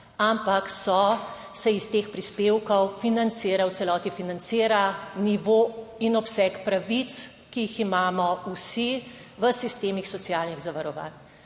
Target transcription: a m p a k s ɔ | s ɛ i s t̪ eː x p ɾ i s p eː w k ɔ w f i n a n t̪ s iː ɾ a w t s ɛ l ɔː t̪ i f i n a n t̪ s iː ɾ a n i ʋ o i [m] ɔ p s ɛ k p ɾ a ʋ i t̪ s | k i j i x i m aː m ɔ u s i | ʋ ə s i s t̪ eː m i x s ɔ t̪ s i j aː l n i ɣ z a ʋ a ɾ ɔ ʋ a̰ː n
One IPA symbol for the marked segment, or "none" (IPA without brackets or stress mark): n